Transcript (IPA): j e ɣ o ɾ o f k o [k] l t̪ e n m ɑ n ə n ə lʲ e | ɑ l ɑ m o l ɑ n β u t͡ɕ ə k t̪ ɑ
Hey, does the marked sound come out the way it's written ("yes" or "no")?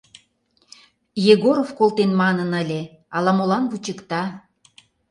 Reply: no